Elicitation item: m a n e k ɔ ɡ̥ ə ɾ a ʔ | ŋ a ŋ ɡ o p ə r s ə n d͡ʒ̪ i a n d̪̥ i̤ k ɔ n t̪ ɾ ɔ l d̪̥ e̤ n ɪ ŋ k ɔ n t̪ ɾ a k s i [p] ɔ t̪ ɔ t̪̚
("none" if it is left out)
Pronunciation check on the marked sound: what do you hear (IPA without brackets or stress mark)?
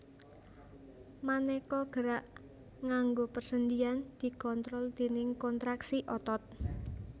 ʔ